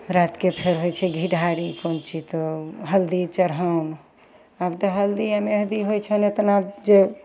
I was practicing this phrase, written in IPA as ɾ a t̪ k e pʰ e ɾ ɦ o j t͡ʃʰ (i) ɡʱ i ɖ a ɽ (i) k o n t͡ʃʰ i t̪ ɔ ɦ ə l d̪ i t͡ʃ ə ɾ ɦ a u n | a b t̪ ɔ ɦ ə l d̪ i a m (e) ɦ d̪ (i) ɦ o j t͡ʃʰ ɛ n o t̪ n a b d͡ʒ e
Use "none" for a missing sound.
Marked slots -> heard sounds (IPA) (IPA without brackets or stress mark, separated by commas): ɛ, i, e, i